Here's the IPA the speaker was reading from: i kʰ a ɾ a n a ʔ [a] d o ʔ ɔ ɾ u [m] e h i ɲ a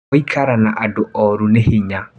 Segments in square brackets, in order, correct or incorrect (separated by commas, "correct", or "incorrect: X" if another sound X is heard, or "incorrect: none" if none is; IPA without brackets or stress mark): correct, incorrect: n